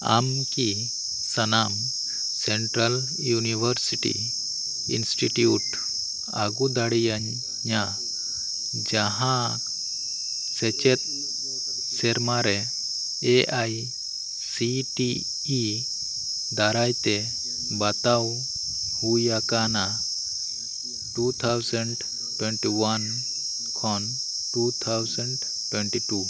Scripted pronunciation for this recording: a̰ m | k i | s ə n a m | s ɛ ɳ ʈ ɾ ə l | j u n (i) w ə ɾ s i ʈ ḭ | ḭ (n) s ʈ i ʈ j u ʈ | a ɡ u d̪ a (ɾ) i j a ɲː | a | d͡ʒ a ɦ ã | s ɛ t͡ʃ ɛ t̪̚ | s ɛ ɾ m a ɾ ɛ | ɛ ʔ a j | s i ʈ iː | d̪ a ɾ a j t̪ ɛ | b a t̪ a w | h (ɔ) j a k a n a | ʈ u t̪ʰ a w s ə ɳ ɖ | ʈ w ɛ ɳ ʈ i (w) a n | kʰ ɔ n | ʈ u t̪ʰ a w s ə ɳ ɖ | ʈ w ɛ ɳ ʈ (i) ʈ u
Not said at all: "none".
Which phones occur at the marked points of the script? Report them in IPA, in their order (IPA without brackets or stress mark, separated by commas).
i, n, ɽ, u, w, i